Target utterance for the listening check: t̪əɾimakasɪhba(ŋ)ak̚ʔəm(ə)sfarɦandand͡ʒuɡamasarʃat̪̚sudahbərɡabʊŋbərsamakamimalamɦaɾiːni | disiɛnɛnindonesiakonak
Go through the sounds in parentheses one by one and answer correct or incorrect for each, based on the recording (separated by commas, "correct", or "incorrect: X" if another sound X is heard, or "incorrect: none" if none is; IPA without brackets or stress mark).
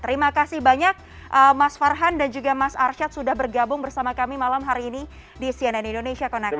incorrect: ɲ, incorrect: a